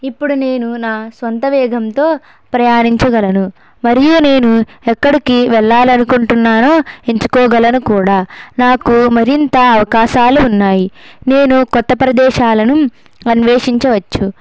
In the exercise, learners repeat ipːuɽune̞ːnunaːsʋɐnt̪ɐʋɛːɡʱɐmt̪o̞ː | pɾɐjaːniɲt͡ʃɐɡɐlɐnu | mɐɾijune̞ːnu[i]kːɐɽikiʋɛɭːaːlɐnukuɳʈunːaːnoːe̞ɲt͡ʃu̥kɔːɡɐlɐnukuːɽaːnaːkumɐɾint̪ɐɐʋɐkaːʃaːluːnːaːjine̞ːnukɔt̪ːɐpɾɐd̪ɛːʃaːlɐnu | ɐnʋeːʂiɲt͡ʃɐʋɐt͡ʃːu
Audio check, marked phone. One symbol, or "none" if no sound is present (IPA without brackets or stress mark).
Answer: ɛ